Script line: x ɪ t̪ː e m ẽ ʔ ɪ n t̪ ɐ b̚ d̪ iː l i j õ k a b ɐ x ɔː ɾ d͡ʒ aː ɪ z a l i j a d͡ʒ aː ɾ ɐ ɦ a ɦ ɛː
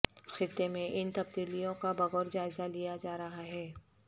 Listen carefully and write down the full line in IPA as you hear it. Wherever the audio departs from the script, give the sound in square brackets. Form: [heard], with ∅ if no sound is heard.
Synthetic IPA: x ɪ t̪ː e m ẽ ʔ ɪ n t̪ ɐ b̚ d̪ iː l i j õ k a b ɐ [ɣ] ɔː ɾ d͡ʒ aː ɪ z a l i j a d͡ʒ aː ɾ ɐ ɦ a ɦ ɛː